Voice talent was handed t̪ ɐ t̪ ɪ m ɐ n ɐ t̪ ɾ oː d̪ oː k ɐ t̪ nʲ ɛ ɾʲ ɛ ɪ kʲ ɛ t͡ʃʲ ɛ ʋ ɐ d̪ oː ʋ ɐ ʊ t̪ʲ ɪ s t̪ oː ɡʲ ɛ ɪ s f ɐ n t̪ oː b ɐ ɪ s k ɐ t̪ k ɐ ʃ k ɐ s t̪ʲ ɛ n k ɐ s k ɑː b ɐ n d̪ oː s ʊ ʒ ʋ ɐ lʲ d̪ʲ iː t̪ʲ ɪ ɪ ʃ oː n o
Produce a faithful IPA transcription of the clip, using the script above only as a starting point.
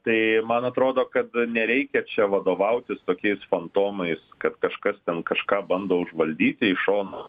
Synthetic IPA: t̪ ɐ ɪ m ɐ n ɐ t̪ ɾ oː d̪ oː k ɐ t̪ nʲ ɛ ɾʲ ɛ ɪ kʲ ɛ t͡ʃʲ ɛ ʋ ɐ d̪ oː ʋ ɐ ʊ t̪ʲ ɪ s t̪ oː kʲ ɛ ɪ s f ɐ n t̪ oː m ɐ ɪ s k ɐ t̪ k ɐ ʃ k ɐ s t̪ʲ ɛ n k ɐ ʃ k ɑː b ɐ n d̪ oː ʊ ʒ ʋ ɐ lʲ d̪ʲ iː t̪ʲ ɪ ɪ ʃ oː n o